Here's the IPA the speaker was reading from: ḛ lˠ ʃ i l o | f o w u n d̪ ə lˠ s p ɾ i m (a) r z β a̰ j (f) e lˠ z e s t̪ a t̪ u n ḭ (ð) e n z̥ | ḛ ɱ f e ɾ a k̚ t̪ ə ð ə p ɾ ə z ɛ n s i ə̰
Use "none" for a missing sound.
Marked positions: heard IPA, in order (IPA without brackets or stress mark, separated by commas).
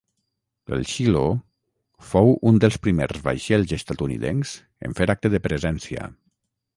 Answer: e, ʃ, ð